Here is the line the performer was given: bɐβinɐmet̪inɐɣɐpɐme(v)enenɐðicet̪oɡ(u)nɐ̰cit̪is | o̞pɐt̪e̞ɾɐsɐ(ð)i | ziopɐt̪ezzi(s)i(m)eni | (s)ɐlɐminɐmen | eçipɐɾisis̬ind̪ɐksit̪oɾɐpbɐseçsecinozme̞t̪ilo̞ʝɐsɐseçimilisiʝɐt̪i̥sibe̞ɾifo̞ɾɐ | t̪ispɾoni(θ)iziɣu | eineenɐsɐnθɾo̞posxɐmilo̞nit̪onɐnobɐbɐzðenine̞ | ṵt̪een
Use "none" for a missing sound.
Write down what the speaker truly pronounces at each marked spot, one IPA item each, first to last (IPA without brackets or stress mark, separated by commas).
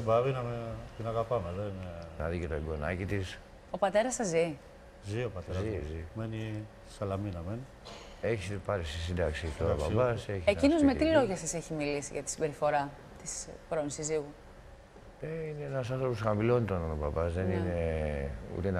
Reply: ð, o, z, z, m, s, s